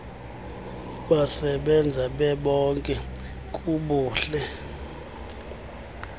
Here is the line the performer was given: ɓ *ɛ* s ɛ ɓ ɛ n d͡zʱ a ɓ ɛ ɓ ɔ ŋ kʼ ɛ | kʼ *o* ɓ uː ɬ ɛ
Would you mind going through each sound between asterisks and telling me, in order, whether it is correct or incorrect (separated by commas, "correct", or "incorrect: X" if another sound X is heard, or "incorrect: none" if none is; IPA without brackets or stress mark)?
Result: incorrect: a, incorrect: u